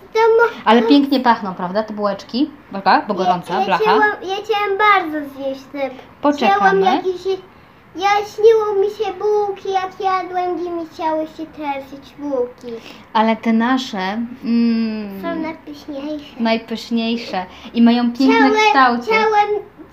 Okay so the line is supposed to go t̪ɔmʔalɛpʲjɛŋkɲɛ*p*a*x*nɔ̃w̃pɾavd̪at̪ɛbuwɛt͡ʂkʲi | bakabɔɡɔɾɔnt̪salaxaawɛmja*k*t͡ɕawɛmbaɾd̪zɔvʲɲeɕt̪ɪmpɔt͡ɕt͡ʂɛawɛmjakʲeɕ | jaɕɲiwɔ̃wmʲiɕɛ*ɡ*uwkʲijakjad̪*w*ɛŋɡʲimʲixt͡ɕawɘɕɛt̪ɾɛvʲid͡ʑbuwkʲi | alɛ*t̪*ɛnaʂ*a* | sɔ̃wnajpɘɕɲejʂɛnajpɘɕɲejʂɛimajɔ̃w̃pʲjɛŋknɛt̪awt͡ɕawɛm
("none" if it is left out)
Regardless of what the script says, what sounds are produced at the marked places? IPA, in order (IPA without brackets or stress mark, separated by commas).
p, x, x, b, w, t̪, ɛ